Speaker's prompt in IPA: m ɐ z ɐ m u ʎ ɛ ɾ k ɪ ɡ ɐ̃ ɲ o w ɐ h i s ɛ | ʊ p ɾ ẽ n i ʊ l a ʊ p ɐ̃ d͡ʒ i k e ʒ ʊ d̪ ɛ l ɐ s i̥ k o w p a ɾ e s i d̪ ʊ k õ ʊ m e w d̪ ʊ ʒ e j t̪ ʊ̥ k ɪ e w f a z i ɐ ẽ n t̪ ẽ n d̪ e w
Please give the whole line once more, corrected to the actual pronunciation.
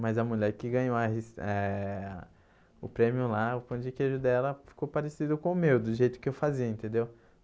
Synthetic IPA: m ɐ z ɐ m u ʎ ɛ ɾ k ɪ ɡ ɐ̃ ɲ o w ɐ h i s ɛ | ʊ p ɾ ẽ m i ʊ l a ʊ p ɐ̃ d͡ʒ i k e ʒ ʊ d̪ ɛ l ɐ f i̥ k o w p a ɾ e s i d̪ ʊ k õ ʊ m e w d̪ ʊ ʒ e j t̪ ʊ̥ k ɪ e w f a z i ɐ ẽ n t̪ ẽ n d̪ e w

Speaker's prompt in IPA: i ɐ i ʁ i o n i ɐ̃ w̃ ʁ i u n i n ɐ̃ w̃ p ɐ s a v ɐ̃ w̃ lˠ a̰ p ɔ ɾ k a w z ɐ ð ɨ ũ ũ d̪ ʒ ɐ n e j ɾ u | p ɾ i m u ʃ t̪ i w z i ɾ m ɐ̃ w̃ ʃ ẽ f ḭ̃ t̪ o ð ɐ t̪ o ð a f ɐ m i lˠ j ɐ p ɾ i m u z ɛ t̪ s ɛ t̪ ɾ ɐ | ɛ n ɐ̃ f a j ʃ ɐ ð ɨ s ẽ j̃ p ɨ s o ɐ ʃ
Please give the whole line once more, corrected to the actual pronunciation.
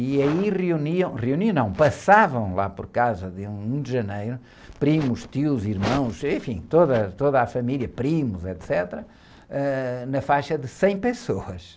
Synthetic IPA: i ɐ i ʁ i u n i ɐ̃ w̃ ʁ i u n i n ɐ̃ w̃ p ɐ s a v ɐ̃ w̃ lˠ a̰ p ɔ ɾ k a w z ɐ ð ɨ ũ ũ d̪ ʒ ɐ n e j ɾ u | p ɾ i m u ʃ t̪ i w z i ɾ m ɐ̃ w̃ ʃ ẽ f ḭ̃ t̪ o ð ɐ t̪ o ð a f ɐ m i lˠ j ɐ p ɾ i m u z ɛ t̪ s ɛ t̪ ɾ ɐ | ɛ n ɐ f a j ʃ ɐ ð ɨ s ẽ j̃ p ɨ s o ɐ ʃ

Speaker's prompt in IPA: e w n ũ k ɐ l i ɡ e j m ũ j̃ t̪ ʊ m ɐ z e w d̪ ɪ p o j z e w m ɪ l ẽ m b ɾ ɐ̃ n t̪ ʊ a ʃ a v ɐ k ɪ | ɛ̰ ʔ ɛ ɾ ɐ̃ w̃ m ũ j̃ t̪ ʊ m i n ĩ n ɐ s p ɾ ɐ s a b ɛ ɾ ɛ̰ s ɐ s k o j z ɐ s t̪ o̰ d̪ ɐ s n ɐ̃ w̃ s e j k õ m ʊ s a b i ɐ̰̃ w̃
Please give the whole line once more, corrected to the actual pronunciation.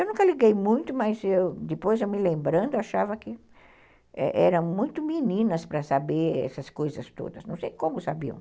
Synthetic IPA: e w n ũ k ɐ l i ɡ e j m ũ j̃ t̪ ʊ m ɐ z e w d̪ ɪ p o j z e w m ɪ l ẽ m b ɾ ɐ̃ n d̪ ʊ a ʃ a v ɐ k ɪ | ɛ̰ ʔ ɛ ɾ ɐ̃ w̃ m ũ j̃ t̪ ʊ m i n ĩ n ɐ s p ɾ ɐ s a b e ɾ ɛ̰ s ɐ s k o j z ɐ s t̪ o̰ d̪ ɐ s n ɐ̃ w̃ s e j k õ m ʊ s a b i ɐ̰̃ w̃

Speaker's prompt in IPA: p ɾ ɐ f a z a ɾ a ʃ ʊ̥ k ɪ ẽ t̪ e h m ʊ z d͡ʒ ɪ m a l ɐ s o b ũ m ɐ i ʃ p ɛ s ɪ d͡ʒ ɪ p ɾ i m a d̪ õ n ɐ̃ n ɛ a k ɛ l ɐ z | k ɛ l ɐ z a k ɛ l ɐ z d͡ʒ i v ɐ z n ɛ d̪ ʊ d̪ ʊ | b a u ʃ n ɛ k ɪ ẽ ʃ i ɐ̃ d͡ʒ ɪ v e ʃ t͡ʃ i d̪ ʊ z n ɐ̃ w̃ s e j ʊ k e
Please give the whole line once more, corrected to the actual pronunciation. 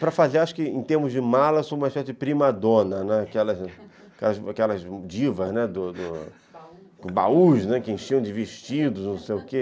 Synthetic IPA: p ɾ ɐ f a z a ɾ a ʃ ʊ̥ k ɪ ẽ t̪ e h m ʊ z d͡ʒ ɪ m a l ɐ s o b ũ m ɐ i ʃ p ɛ s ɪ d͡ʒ ɪ p ɾ i m a d̪ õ n ɐ n ɛ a k ɛ l ɐ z | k ɛ l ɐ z a k ɛ l ɐ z d͡ʒ i v ɐ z n ɛ d̪ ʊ d̪ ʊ | b a u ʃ n ɛ k ɪ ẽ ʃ i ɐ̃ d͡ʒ ɪ v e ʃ t͡ʃ i d̪ ʊ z n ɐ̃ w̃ s e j ʊ k e

